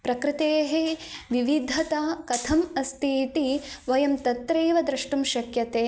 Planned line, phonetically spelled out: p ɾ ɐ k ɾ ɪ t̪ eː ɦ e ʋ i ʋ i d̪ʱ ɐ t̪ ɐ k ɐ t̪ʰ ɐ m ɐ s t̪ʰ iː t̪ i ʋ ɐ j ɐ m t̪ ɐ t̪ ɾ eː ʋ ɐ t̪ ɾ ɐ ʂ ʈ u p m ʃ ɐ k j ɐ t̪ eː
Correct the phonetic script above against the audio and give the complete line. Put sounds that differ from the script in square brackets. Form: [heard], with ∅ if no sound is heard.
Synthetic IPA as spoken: p ɾ ɐ k ɾ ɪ t̪ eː ɦ e ʋ i ʋ i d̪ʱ ɐ t̪ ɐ k ɐ t̪ʰ ɐ m ɐ s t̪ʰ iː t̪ i ʋ ɐ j ɐ m t̪ ɐ t̪ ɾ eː ʋ ɐ [d̪] ɾ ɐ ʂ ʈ u [∅] m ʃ ɐ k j ɐ t̪ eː